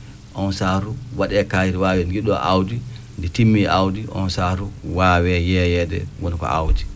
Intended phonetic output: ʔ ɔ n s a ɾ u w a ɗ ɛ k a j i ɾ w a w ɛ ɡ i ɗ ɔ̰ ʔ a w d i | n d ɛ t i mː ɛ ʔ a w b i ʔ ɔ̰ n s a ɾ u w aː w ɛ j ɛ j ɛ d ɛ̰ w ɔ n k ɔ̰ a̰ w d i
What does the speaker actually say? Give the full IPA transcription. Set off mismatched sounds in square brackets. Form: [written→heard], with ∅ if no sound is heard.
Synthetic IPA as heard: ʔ ɔ n s a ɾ u w a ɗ ɛ k a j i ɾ w a w ɛ ɡ i ɗ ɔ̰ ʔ a w d i | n d ɛ t i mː [ɛ→i] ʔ a w [b→d] i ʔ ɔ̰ n s a ɾ u w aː w ɛ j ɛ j ɛ d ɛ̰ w ɔ n k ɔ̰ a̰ w d i

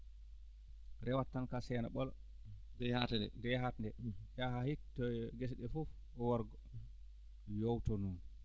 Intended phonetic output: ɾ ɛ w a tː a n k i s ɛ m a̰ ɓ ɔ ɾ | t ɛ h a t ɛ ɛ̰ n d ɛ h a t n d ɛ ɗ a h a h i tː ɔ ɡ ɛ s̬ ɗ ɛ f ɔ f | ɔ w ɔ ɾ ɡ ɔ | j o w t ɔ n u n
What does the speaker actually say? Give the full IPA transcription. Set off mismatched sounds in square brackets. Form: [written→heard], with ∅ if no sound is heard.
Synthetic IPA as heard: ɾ ɛ w a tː a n k [i→a] s ɛ [m→n] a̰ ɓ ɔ [ɾ→l] | [t→d] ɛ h a t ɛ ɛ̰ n d ɛ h a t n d ɛ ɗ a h a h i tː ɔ ɡ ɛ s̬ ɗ ɛ f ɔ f | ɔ w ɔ ɾ ɡ ɔ | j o w t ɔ n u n

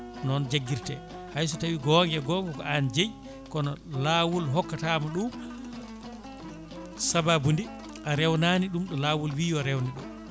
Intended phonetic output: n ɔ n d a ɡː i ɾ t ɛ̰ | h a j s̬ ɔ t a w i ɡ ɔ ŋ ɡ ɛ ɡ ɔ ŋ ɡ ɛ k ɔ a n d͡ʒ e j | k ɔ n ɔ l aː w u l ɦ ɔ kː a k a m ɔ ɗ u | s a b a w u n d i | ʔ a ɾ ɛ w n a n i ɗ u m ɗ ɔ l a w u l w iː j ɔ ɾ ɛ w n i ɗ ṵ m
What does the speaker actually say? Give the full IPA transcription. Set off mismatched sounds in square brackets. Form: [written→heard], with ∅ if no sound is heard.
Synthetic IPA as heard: n ɔ n [d→d͡ʒ] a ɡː i ɾ t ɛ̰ | h a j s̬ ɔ t a w i ɡ ɔ ŋ ɡ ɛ ɡ ɔ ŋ ɡ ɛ k ɔ a n d͡ʒ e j | k ɔ n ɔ l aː w u l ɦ ɔ kː a [k→t] a m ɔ ɗ u | s a b a [w→b] u n d i | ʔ a ɾ ɛ w n a n i ɗ u m ɗ ɔ l a w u l w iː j ɔ ɾ ɛ w n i ɗ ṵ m

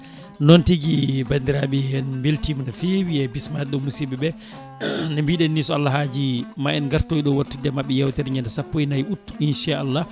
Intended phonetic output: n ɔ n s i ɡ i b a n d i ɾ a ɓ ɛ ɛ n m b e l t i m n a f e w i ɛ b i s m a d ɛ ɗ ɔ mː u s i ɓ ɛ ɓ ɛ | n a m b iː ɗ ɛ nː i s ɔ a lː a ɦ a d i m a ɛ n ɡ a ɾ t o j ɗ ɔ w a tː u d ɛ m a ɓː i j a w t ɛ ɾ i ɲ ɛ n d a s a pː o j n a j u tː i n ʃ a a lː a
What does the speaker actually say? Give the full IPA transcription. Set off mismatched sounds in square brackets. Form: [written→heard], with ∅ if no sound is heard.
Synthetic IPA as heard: n ɔ n [s→t] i ɡ i b a n d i ɾ a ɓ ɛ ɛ n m b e l t i m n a f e w i ɛ b i s m a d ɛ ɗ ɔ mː u s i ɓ ɛ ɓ ɛ | n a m b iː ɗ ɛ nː i s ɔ a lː a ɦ a [d→d͡ʒ] i m a ɛ n ɡ a ɾ t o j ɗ ɔ w a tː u d ɛ m a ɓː [i→ɛ] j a w t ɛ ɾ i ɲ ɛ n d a s a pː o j n a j u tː i n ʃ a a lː a

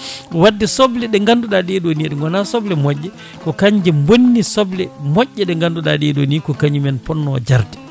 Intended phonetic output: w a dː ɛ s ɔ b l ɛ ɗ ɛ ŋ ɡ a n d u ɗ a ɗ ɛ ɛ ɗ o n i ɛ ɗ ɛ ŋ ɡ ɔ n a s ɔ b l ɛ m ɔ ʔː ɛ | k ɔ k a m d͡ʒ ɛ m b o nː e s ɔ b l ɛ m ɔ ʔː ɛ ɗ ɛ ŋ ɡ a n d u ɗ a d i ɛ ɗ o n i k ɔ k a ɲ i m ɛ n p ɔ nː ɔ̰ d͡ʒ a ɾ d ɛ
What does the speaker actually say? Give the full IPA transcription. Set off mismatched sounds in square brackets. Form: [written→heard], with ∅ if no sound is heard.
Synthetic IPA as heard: w a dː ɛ s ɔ b l ɛ ɗ ɛ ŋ ɡ a n d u ɗ a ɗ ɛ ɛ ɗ o n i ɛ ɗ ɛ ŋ ɡ ɔ n a s ɔ b l ɛ m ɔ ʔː ɛ | k ɔ k a [m→ɲ] d͡ʒ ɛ m b o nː [e→i] s ɔ b l ɛ m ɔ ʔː ɛ ɗ ɛ ŋ ɡ a n d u ɗ a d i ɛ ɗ o n i k ɔ k a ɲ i m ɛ n p ɔ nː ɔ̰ d͡ʒ a ɾ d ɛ

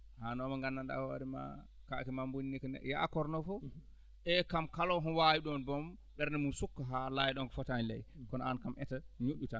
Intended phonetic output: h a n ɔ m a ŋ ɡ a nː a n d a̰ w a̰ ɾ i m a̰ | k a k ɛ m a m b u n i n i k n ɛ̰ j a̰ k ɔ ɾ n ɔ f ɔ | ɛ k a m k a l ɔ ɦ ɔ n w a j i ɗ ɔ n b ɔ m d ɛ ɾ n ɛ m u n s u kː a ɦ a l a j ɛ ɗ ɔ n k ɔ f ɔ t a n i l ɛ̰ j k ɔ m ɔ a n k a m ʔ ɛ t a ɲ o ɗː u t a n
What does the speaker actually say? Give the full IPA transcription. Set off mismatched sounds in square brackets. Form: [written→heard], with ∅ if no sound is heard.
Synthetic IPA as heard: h a n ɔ m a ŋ ɡ a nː a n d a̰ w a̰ ɾ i m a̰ | k a k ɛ m a m b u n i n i k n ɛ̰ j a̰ k ɔ ɾ n ɔ f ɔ | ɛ k a m k a l ɔ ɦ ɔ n w a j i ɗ ɔ n b ɔ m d ɛ ɾ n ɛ m u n s u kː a ɦ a l a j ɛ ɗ ɔ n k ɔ f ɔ t a n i l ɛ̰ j k ɔ [m→n] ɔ a n k a m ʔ ɛ t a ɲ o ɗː u t a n

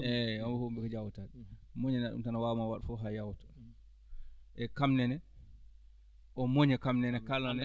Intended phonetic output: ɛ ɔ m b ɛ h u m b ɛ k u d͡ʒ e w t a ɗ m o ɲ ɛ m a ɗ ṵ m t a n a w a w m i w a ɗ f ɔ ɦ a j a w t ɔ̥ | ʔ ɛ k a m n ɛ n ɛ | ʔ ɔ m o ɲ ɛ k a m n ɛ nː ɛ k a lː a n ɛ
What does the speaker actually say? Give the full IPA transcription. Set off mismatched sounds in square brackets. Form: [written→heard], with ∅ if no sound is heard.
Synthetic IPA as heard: ɛ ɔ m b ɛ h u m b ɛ k [u→ɔ] d͡ʒ [e→a] w t a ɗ m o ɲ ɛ [m→n] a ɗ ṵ m t a n a w a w m [i→a] w a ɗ f ɔ ɦ a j a w t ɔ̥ | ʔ ɛ k a m n ɛ n ɛ | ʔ ɔ m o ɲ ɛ k a m n ɛ [nː→n] ɛ k a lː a n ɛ

